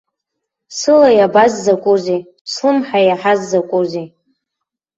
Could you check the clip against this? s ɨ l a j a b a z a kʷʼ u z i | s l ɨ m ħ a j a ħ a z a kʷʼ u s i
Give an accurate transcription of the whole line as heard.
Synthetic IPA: s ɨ l a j a b a zː a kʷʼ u z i | s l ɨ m ħ a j a ħ a zː a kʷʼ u z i